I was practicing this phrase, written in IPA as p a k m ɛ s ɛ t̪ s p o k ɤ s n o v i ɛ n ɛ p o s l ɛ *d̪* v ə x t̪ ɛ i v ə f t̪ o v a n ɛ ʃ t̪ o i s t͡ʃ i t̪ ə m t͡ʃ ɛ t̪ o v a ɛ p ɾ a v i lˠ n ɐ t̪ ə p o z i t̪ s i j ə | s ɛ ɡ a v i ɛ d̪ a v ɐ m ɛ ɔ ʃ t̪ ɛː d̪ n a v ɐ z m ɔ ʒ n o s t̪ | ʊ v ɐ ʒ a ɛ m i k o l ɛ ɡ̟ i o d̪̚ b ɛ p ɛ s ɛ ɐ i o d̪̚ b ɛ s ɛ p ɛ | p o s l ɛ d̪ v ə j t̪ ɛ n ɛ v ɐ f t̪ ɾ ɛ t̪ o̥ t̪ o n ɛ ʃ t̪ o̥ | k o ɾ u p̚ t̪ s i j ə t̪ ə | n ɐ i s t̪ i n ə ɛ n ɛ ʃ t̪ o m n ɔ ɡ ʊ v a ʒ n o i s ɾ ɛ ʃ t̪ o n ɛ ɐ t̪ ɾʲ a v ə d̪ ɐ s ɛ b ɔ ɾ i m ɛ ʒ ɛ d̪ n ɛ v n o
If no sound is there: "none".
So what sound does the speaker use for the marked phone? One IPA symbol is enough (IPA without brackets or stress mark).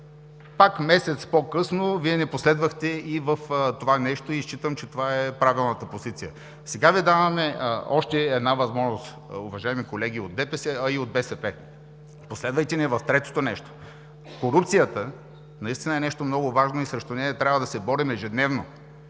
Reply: d̪